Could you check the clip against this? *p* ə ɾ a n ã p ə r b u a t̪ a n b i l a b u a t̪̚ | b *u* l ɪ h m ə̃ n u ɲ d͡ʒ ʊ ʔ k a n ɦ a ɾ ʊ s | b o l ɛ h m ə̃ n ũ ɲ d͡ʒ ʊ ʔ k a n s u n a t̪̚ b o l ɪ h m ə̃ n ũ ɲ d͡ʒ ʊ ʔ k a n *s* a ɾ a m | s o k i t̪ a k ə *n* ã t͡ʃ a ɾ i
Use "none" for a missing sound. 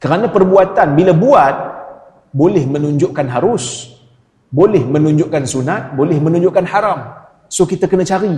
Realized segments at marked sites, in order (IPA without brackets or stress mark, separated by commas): k, o, h, n